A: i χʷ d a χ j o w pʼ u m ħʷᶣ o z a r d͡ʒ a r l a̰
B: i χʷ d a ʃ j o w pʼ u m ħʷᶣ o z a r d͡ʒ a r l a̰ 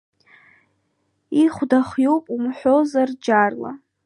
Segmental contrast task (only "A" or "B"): A